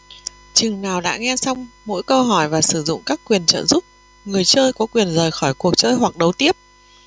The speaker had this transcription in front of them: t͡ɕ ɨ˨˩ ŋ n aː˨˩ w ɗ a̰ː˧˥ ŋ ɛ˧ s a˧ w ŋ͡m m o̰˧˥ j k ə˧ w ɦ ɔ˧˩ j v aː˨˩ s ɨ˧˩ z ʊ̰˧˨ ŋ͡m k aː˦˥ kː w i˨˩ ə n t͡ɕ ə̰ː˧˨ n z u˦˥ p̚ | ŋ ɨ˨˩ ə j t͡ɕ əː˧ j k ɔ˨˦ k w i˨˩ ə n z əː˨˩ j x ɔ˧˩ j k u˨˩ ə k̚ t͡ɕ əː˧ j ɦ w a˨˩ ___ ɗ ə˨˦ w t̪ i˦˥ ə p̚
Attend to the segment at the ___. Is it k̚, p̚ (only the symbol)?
k̚